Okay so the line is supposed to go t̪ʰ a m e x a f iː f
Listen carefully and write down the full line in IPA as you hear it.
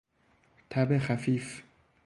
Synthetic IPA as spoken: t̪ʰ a b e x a f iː f